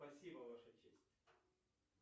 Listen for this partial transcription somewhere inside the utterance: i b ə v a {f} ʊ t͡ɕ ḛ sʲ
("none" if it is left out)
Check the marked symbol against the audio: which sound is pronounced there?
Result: ʂ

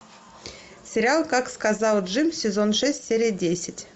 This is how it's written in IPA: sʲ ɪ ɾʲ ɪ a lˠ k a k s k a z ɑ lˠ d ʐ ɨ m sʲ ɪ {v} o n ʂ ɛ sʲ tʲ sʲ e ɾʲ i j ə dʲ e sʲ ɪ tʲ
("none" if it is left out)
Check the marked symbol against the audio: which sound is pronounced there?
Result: z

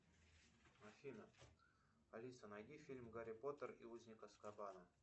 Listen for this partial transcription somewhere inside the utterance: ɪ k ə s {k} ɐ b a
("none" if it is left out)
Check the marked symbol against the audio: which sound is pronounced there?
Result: k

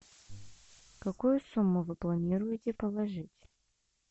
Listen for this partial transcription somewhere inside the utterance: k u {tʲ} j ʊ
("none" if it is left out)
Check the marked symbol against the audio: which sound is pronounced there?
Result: none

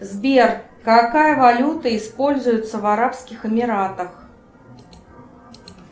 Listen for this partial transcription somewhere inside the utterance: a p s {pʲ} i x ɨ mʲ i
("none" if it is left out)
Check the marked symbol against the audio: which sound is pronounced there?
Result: kʲ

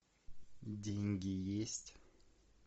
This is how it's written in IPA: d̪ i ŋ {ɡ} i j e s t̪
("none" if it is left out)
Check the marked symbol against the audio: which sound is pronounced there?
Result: ɡ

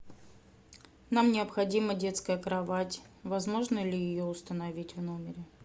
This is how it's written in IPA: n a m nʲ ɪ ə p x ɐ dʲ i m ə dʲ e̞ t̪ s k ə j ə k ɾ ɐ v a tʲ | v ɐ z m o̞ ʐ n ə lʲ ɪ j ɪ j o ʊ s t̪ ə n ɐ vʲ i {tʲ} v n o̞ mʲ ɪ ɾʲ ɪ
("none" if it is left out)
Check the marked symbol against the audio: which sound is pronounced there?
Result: tʲ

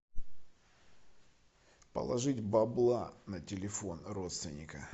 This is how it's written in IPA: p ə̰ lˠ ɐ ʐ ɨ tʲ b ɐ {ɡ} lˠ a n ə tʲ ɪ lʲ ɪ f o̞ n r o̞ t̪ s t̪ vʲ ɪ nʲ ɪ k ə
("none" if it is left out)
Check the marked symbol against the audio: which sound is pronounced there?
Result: b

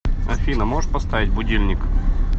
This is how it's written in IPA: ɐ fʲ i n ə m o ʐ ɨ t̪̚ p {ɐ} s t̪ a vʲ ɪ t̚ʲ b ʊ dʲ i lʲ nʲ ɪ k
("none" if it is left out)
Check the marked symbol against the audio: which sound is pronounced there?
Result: ɐ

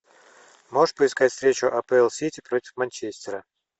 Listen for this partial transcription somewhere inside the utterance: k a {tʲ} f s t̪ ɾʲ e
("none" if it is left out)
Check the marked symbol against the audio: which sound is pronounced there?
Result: tʲ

